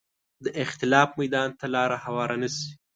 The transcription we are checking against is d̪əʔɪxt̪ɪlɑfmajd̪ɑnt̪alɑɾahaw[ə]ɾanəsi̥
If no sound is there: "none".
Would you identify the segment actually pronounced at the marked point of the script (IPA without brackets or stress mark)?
ɑ